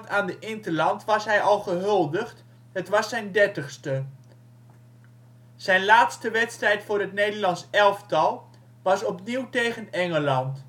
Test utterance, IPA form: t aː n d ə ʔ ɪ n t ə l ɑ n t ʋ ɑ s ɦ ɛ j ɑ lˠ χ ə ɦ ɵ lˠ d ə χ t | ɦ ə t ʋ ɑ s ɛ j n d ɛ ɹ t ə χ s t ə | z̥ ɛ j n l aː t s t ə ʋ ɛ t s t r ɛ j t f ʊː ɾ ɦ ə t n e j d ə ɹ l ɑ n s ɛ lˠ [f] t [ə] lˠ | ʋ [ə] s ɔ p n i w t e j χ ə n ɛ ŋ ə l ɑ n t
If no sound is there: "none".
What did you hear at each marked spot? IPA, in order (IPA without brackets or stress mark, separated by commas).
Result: f, ɑ, ɑ